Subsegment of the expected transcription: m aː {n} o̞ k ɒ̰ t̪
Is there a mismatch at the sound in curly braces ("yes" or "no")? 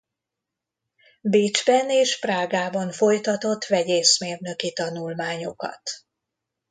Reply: yes